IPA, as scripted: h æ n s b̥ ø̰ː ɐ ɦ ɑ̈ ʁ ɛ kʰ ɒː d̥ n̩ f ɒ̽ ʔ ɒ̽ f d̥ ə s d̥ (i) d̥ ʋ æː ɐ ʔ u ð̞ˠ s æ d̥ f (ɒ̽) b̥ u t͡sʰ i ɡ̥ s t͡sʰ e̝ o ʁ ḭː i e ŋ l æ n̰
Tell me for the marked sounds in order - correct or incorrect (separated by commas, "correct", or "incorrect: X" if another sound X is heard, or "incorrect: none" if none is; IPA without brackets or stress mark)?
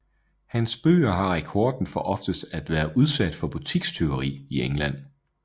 incorrect: æ, correct